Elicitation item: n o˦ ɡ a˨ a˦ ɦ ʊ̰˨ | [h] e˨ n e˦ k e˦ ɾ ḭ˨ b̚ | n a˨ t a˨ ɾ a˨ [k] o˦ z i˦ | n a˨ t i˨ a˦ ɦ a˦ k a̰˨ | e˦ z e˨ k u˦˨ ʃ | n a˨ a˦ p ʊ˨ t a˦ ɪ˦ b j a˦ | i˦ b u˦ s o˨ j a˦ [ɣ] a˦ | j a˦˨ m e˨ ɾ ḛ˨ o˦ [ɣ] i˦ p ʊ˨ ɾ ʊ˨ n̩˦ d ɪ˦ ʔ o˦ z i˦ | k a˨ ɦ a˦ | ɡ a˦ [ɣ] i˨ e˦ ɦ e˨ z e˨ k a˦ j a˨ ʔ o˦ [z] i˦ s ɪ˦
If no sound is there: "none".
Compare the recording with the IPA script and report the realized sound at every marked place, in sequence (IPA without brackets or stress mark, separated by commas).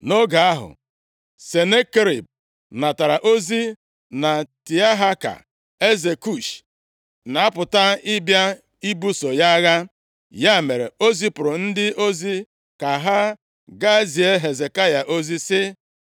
s, ʔ, ɣ, z, z, z